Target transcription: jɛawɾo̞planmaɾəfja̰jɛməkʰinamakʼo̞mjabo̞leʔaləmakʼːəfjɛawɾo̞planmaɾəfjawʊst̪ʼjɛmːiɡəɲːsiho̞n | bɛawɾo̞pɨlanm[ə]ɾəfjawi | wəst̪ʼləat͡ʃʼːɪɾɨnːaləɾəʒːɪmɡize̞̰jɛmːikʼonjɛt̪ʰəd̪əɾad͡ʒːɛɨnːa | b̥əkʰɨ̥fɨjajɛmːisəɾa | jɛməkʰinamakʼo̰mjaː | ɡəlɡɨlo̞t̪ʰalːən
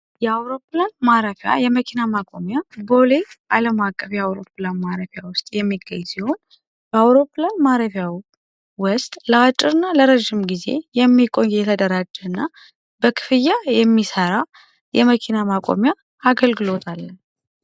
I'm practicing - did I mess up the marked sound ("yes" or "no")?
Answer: yes